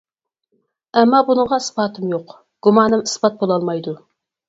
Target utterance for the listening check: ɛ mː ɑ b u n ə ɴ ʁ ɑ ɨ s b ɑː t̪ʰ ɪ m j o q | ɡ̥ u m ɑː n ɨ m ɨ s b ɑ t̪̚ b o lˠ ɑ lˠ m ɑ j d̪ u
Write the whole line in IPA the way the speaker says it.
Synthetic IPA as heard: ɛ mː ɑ b u n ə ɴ ʁ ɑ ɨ s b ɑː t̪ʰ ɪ m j o q | ɡ̥ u m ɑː n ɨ m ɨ s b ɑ t̪̚ b o lˠ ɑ lˠ m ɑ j d̪ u